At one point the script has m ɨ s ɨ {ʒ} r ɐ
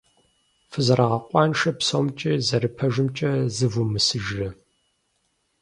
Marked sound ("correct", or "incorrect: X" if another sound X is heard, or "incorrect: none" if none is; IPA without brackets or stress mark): correct